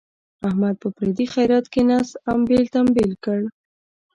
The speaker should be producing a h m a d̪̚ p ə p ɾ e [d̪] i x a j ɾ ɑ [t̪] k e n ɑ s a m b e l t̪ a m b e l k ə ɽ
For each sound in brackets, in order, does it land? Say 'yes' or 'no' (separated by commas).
yes, yes